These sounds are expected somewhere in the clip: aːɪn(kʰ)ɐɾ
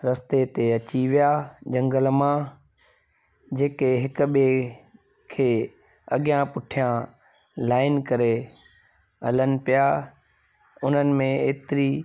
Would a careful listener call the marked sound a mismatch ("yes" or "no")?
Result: yes